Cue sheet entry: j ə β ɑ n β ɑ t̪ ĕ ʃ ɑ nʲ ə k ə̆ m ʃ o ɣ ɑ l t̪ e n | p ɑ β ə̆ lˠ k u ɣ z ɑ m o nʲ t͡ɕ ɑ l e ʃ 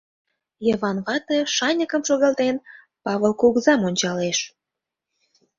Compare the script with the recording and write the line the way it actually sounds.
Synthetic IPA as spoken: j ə β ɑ n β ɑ t̪ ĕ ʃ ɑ nʲ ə k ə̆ m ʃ o ɣ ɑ l t̪ e n | p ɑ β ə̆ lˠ k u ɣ z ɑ m o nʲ t͡ɕ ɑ l e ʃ